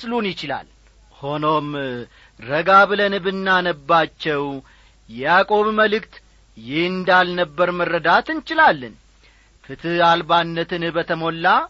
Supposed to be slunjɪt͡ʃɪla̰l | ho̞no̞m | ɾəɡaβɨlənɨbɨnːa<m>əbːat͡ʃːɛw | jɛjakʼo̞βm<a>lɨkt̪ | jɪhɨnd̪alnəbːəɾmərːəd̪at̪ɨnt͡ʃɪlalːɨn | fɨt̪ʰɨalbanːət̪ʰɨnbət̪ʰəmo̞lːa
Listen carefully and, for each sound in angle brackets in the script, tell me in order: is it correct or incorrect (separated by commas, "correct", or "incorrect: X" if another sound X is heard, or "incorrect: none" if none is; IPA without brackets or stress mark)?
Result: incorrect: n, incorrect: ə